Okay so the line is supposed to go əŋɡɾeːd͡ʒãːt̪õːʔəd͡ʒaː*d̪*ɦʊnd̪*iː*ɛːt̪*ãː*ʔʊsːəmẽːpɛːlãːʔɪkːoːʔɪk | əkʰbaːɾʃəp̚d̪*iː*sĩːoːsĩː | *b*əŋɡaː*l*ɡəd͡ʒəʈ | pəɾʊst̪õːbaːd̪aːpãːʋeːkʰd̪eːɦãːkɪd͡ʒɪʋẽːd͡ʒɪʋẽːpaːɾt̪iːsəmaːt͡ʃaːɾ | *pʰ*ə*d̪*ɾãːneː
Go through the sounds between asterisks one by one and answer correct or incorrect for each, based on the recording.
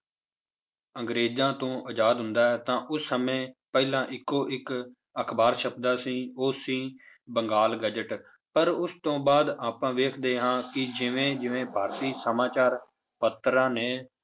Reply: correct, incorrect, correct, incorrect, correct, correct, incorrect, incorrect

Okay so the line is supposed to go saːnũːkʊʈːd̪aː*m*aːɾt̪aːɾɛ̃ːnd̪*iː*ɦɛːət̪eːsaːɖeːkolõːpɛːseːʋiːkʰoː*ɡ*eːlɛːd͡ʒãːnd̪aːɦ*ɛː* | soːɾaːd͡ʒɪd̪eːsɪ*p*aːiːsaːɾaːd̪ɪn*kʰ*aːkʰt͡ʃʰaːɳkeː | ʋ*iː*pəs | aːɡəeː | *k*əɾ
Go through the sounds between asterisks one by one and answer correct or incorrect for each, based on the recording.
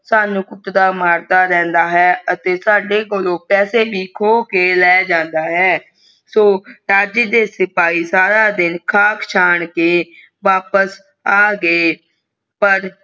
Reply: correct, incorrect, incorrect, correct, correct, correct, incorrect, incorrect

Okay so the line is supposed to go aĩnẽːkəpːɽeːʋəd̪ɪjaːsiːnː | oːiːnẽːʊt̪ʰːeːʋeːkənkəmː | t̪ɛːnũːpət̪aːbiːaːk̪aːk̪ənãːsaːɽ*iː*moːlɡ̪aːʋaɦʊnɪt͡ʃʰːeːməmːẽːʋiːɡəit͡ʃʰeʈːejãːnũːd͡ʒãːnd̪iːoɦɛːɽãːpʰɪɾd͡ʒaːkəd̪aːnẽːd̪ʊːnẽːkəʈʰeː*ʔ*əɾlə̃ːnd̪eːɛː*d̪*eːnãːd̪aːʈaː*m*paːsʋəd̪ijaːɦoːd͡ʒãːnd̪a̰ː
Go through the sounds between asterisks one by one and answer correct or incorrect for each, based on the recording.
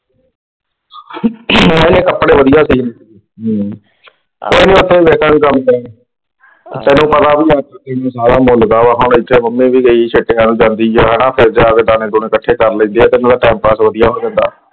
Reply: incorrect, incorrect, incorrect, correct

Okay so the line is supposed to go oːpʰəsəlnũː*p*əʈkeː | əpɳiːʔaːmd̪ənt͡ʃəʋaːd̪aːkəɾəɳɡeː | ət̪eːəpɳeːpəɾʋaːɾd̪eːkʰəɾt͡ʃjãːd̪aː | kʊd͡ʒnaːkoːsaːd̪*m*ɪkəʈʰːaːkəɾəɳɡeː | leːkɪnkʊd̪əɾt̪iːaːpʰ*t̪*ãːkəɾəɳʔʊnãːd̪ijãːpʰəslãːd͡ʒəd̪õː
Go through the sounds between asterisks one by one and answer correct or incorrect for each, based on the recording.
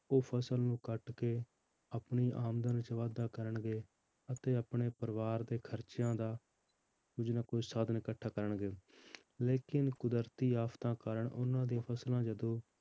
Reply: incorrect, incorrect, correct

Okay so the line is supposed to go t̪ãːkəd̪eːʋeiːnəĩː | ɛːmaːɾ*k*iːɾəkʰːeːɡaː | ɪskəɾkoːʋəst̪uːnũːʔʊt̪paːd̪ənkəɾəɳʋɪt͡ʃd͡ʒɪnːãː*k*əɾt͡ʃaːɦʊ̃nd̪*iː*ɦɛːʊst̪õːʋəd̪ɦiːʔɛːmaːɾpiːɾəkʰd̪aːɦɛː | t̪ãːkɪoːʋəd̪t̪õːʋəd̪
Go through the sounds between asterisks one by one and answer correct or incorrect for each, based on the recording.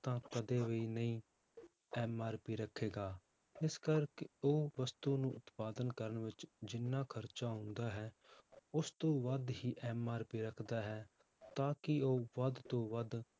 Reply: incorrect, incorrect, incorrect

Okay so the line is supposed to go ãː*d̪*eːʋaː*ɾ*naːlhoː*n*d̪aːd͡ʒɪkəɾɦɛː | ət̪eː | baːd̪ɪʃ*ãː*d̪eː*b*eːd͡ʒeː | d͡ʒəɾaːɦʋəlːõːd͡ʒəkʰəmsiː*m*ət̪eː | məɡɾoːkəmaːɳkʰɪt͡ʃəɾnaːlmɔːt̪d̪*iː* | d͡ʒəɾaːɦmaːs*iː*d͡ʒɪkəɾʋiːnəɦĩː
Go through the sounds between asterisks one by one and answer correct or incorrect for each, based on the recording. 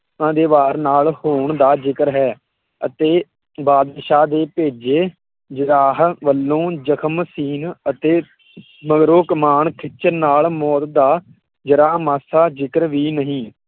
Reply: correct, correct, incorrect, incorrect, incorrect, incorrect, incorrect, incorrect

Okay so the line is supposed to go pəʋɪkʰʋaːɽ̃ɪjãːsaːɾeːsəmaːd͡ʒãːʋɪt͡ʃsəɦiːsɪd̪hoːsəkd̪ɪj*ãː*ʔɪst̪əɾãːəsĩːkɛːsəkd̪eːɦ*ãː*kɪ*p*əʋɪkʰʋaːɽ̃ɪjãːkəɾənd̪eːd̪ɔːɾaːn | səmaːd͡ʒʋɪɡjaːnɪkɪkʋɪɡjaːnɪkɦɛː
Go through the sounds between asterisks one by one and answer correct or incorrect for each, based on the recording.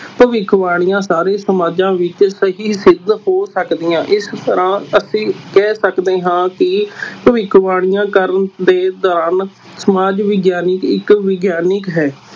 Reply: correct, correct, correct

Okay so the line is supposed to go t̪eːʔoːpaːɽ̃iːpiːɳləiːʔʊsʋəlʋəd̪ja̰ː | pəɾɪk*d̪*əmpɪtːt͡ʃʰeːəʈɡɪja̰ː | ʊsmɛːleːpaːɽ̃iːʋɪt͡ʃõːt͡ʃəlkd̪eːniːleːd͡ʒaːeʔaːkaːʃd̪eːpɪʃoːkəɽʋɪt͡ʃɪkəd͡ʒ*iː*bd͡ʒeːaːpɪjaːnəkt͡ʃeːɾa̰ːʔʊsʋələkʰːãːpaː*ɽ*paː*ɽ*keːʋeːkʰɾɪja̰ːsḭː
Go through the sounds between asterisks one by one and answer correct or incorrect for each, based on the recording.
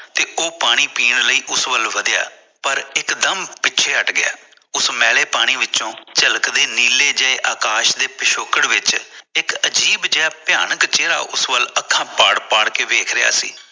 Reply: correct, correct, correct, correct

